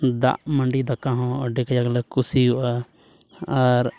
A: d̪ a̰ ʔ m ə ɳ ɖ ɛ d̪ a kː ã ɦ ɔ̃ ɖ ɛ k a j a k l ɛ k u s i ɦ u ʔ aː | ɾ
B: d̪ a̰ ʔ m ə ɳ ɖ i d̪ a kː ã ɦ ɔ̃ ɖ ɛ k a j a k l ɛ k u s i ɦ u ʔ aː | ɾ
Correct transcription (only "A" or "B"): B